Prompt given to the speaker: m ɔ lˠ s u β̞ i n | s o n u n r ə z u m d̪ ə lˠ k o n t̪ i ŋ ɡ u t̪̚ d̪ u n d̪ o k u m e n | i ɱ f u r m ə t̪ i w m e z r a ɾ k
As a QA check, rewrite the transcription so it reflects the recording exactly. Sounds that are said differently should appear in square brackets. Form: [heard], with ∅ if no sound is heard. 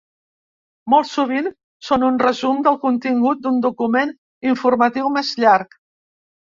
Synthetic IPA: m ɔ lˠ s u β̞ i n | s o n u n r ə z u m d̪ ə lˠ k [u] n t̪ i ŋ ɡ u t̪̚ d̪ u n d̪ [u] k u m e n | i ɱ f u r m ə t̪ i w m e z [ʎ] a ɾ k